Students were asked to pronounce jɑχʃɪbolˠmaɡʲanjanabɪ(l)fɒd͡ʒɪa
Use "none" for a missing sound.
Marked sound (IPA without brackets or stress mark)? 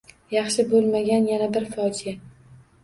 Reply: ɾ